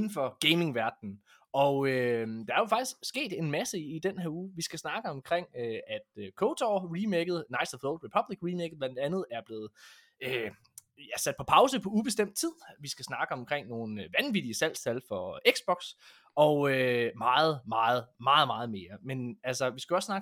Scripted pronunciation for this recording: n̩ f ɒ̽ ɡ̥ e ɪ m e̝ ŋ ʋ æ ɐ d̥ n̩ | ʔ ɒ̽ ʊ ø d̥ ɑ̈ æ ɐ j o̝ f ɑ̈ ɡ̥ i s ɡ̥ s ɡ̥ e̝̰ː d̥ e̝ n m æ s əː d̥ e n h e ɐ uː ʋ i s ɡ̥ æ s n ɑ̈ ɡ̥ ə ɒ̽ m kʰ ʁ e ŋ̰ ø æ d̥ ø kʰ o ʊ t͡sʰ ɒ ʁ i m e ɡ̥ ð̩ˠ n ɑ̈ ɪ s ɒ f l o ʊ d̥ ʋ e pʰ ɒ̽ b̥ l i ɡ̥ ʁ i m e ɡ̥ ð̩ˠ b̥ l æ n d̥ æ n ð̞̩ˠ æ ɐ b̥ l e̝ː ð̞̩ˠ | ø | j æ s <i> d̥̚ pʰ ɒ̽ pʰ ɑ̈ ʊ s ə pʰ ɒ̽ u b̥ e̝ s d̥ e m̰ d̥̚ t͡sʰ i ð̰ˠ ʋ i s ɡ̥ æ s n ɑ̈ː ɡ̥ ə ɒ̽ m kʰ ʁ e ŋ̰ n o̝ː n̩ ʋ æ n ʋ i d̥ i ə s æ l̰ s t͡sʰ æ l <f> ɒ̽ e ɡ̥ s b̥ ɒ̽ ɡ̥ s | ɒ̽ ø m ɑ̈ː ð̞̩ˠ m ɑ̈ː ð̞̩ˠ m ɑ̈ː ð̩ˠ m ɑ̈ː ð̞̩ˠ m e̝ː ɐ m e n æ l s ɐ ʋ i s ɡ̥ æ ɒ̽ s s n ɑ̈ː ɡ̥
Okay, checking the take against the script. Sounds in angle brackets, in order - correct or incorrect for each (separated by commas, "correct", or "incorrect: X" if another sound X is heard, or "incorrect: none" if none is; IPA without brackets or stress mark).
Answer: incorrect: æ, correct